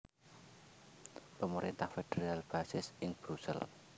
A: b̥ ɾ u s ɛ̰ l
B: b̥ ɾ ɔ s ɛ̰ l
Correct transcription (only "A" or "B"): A